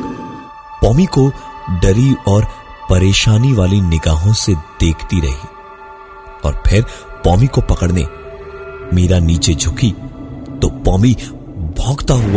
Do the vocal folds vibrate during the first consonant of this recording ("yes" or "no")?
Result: no